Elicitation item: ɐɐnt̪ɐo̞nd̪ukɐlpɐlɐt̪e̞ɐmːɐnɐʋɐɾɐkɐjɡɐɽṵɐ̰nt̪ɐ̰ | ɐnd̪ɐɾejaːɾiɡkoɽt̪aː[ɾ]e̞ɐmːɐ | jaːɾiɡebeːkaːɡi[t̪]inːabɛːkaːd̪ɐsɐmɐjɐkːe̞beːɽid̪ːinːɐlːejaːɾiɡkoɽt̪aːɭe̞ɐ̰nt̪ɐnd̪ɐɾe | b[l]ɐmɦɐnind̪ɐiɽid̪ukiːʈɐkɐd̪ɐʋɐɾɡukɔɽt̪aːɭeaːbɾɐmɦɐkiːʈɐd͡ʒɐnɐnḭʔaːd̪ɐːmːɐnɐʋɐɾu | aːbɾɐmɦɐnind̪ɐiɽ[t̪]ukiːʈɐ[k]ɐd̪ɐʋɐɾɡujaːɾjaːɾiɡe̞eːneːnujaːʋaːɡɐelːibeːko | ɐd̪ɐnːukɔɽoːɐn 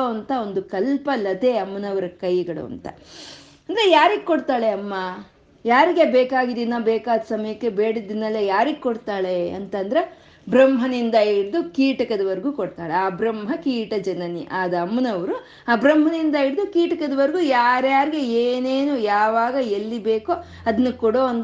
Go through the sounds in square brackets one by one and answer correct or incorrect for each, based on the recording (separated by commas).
incorrect, incorrect, incorrect, incorrect, correct